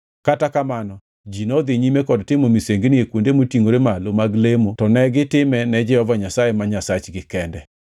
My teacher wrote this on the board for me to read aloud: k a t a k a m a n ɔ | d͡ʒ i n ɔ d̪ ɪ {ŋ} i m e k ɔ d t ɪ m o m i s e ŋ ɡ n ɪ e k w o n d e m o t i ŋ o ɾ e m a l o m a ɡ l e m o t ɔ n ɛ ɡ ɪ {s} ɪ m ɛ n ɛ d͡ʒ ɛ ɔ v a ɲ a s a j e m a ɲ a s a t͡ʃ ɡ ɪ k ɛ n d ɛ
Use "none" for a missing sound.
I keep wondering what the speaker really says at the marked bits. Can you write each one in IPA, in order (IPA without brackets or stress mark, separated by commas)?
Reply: ɲ, t